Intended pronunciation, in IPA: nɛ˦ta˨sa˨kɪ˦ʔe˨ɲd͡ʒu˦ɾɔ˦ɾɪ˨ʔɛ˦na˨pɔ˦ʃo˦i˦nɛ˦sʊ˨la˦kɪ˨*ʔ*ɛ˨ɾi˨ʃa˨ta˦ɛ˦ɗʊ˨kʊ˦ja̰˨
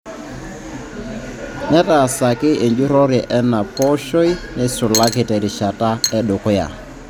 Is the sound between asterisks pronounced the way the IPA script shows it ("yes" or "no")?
no